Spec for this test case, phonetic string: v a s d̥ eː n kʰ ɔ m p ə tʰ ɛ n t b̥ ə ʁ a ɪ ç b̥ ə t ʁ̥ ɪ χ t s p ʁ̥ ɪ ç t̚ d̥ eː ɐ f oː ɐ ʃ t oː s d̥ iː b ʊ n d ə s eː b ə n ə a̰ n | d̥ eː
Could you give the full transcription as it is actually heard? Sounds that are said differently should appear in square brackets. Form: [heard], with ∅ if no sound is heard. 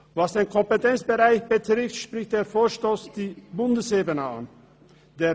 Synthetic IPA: v a s d̥ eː n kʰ ɔ m p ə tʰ ɛ n [t͡s] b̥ ə ʁ a ɪ ç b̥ ə t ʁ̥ ɪ [f] t [ʃ] p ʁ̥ ɪ ç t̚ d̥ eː ɐ f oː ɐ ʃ t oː s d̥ iː b ʊ n d ə s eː b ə n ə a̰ n | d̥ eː